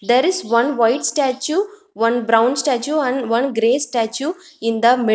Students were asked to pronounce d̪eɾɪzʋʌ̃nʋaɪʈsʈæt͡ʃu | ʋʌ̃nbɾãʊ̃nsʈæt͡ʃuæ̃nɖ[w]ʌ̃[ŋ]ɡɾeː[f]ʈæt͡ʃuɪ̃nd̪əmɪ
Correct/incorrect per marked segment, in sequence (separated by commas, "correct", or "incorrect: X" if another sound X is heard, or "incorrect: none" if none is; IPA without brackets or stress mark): incorrect: ʋ, incorrect: n, incorrect: s